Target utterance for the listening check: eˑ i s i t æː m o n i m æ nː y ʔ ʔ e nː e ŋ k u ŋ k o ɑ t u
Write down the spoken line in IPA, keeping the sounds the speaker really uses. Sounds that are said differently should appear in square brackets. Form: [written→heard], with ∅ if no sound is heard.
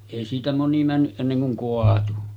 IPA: eˑ i s [i→iː] t [æː→æ] m o n i m æ nː y ʔ ʔ e nː e ŋ k u ŋ k o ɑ t u

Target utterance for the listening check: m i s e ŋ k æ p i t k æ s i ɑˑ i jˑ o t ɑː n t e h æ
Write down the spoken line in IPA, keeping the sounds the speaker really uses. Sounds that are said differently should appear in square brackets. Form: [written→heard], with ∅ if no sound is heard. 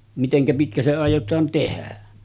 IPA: m i [s→t] e ŋ k æ p i t k æ s [i→e] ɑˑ i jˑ o t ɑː n t e h æ

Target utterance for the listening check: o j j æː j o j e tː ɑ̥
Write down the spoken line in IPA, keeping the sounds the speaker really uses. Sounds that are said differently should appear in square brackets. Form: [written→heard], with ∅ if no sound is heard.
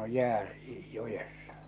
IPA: o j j æː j o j e [tː→sː] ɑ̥

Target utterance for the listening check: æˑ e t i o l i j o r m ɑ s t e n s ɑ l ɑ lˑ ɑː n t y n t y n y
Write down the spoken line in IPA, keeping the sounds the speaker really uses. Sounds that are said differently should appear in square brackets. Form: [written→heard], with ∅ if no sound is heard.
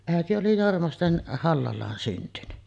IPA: æˑ e t i o l i j o r m ɑ s t e n [s→h] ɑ [l→lː] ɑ lˑ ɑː n [t→s] y n t y n y

